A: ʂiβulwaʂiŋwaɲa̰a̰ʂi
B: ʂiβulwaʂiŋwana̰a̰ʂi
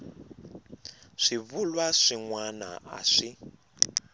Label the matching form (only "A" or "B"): B